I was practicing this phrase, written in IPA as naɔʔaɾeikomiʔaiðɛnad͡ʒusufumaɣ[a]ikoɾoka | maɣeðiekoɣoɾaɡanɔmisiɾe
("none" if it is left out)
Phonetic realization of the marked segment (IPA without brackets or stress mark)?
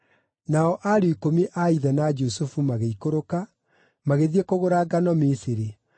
e